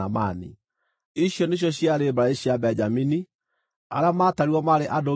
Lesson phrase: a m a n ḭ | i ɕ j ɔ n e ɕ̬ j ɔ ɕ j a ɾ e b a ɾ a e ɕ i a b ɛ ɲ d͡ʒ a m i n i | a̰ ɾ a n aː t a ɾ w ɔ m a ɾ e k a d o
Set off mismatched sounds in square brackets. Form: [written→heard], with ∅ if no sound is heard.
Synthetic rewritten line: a m a n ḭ | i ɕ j ɔ n e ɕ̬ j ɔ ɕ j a ɾ e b a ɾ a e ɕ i a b ɛ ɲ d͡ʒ a m i n i | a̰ ɾ a [n→m] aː t a ɾ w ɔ m a ɾ e [k→ʔ] a d o

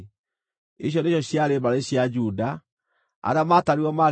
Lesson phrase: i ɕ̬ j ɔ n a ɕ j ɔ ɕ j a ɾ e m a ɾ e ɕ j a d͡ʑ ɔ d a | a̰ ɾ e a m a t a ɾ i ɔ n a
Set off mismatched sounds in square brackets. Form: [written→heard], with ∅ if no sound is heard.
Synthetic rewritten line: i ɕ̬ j ɔ n [a→e] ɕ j ɔ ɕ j a ɾ e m a ɾ e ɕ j a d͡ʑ [ɔ→u] d a | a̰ ɾ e a m a t a ɾ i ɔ [n→m] a

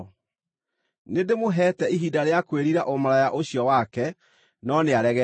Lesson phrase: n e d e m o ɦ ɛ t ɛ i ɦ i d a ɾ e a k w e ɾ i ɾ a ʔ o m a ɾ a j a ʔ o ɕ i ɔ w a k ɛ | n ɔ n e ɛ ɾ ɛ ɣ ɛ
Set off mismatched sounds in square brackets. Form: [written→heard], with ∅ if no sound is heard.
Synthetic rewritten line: n e d e m o ɦ ɛ t ɛ i ɦ i d a ɾ e a k w e ɾ i ɾ a ʔ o m a ɾ a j a ʔ o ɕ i ɔ w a k ɛ | n ɔ n e [ɛ→a] ɾ ɛ ɣ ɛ

